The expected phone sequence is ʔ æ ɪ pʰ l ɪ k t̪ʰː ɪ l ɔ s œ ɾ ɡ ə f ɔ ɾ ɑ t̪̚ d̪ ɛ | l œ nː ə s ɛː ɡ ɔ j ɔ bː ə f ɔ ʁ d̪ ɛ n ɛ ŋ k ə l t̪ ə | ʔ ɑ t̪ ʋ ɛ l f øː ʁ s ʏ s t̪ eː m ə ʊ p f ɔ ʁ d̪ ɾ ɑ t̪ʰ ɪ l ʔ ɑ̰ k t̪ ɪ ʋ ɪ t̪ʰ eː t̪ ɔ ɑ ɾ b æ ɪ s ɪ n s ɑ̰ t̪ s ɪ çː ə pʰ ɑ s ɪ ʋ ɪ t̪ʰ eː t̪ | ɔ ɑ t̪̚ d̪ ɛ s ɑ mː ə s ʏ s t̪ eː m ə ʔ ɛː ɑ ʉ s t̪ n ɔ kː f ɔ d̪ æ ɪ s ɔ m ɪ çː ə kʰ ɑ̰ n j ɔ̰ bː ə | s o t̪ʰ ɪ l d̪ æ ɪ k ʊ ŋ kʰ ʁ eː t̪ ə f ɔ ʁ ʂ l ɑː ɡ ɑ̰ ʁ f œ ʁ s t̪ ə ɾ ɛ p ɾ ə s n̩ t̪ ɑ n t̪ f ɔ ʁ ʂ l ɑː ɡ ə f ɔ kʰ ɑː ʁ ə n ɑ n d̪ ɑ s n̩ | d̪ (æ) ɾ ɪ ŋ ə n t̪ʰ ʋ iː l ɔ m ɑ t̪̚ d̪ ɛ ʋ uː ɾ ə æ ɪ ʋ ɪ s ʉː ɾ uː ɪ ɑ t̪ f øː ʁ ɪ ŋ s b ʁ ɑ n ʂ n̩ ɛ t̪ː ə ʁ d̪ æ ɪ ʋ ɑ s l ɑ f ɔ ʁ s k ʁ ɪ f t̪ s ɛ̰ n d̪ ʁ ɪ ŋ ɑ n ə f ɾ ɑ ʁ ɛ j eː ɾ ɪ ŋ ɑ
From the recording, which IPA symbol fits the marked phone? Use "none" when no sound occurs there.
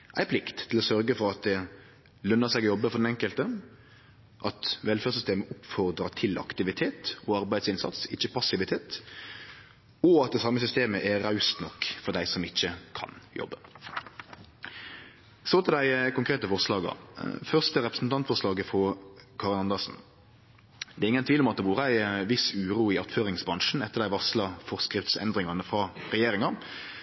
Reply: ɛ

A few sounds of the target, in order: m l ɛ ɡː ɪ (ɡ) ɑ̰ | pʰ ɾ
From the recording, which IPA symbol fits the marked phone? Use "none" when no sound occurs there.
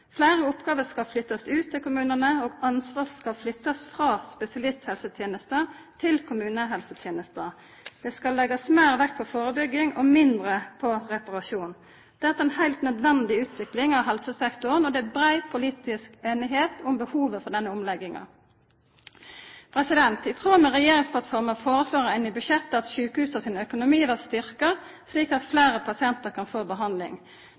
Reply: ŋ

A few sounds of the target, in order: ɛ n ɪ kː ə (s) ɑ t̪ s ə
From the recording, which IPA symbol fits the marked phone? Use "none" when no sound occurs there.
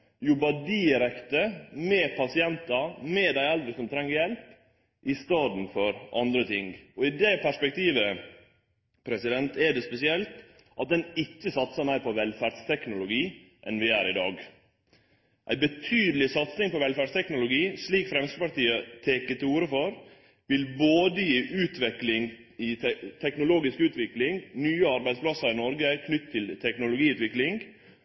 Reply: s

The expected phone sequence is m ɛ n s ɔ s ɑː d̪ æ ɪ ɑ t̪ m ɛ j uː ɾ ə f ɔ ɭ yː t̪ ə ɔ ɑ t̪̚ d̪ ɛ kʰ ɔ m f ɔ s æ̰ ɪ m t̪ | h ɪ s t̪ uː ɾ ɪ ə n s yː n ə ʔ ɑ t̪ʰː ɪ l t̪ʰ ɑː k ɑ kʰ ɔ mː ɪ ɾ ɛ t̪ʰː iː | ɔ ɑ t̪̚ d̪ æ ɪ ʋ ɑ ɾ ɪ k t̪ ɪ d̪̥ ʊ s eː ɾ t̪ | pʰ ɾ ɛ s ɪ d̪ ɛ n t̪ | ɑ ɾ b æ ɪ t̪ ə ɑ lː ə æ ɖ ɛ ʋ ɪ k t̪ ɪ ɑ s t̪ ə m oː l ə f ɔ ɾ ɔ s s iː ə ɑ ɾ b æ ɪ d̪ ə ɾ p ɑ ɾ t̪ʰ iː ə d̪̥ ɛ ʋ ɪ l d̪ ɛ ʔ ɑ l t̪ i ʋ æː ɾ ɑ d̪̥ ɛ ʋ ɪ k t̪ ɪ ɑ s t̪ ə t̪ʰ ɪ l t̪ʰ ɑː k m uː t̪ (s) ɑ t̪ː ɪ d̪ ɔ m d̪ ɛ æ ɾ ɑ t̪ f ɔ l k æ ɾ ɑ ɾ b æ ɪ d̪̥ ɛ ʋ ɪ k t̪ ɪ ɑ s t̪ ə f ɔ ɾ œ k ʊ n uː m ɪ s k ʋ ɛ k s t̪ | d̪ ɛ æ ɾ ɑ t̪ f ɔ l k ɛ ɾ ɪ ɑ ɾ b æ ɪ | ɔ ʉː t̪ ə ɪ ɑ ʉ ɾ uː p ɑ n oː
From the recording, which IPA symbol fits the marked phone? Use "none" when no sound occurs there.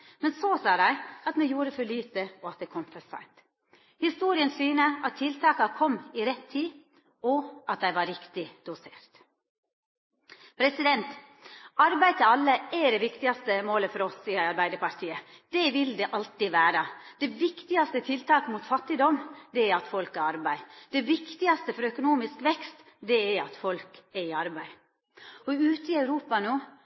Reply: f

